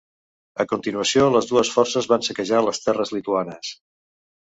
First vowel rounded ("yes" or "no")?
no